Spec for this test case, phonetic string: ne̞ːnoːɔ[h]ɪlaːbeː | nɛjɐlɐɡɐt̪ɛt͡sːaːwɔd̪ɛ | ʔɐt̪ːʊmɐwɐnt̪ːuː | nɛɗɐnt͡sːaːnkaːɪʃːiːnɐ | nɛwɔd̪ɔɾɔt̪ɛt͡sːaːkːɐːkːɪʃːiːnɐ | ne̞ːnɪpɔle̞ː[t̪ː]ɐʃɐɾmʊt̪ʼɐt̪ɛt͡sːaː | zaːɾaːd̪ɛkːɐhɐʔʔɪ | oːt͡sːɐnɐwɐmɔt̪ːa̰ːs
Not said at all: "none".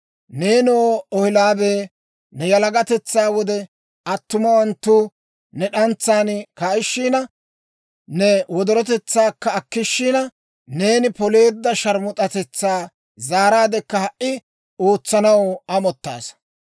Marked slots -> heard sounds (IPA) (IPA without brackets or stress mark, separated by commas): h, d̪ː